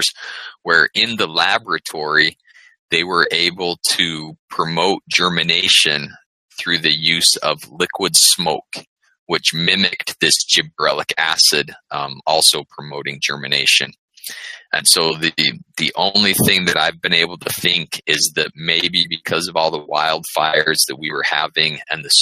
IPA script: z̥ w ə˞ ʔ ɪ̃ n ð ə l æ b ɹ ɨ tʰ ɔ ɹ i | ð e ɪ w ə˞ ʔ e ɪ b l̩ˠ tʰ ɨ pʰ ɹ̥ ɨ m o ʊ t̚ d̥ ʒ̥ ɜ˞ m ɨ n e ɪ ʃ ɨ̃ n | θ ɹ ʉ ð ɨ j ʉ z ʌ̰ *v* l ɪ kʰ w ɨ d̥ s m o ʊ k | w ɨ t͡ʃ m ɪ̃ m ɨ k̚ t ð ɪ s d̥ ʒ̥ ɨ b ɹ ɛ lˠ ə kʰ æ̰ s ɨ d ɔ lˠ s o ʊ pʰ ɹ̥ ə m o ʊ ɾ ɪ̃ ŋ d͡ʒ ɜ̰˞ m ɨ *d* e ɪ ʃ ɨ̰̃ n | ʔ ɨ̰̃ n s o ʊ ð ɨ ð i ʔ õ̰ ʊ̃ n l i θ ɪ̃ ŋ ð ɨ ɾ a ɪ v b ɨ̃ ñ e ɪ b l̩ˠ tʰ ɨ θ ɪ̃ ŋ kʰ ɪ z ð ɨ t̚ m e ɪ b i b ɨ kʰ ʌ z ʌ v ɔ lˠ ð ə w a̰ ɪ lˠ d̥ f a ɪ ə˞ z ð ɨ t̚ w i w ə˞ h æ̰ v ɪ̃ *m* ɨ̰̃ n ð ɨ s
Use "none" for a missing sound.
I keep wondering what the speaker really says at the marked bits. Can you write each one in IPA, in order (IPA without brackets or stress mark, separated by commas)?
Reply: v, n, ŋ